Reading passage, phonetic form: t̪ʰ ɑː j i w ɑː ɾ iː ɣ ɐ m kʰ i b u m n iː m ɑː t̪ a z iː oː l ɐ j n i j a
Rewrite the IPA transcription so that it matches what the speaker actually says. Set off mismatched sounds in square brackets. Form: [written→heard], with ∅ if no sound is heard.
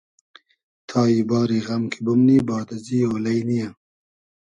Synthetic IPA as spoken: t̪ʰ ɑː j i [w→b] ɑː ɾ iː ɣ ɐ m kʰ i b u m n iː [m→b] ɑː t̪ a z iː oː l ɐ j n i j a